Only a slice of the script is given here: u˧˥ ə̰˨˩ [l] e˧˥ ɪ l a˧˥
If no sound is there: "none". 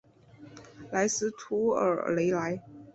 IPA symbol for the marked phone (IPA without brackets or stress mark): l